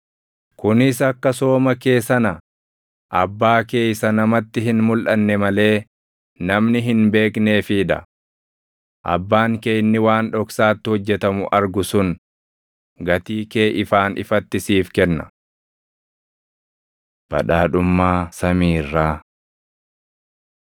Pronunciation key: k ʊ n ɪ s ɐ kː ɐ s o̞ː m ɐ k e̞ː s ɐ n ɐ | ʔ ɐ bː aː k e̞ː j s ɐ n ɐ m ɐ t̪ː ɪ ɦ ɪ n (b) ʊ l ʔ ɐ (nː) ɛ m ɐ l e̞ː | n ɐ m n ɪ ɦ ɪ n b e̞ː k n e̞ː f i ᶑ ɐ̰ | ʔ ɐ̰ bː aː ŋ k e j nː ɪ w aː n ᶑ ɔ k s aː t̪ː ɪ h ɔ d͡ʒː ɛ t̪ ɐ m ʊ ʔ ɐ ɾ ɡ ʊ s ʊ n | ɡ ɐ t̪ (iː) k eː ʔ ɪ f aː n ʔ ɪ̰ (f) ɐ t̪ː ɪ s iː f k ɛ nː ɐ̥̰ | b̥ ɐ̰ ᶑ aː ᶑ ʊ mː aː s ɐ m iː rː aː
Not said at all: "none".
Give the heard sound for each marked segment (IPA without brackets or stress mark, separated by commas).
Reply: m, nː, iː, f